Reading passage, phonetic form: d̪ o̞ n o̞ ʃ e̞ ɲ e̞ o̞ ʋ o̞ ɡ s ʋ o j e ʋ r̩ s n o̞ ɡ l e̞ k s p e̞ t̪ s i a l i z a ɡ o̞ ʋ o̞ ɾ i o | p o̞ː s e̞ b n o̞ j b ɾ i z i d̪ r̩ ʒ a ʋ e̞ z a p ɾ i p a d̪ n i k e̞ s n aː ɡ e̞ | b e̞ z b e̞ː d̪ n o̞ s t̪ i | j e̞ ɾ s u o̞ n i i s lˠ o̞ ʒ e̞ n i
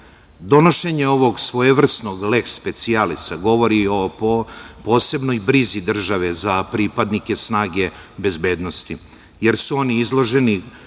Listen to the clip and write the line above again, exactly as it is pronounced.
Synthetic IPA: d̪ o̞ n o̞ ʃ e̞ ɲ e̞ o̞ ʋ o̞ ɡ s ʋ o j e ʋ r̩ s n o̞ ɡ l e̞ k s p e̞ t̪ s i a l i s a ɡ o̞ ʋ o̞ ɾ i o | p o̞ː s e̞ b n o̞ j b ɾ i z i d̪ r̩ ʒ a ʋ e̞ z a p ɾ i p a d̪ n i k e̞ s n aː ɡ e̞ | b e̞ z b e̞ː d̪ n o̞ s t̪ i | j e̞ ɾ s u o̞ n i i z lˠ o̞ ʒ e̞ n i